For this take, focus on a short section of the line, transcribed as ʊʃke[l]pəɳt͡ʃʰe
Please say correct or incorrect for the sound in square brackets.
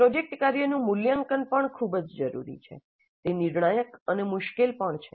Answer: correct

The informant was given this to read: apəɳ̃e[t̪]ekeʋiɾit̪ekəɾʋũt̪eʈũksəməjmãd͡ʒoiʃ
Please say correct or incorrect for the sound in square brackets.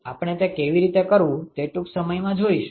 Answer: correct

